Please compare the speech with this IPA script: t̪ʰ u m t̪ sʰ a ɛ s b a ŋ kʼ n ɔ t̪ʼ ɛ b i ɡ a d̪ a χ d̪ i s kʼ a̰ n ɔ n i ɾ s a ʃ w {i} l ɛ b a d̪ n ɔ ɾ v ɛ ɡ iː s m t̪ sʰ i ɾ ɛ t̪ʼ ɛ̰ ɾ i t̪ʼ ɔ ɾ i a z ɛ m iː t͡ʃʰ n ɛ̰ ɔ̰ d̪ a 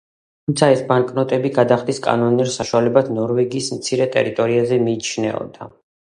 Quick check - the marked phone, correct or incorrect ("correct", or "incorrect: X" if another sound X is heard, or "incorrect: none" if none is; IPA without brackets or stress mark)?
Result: incorrect: a